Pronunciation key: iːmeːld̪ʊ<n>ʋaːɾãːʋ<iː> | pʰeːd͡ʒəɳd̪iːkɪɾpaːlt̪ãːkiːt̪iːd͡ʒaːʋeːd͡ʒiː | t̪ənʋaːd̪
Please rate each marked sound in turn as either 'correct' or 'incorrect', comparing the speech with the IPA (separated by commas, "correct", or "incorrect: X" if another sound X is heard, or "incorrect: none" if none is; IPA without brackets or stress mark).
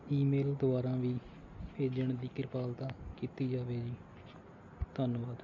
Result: incorrect: none, correct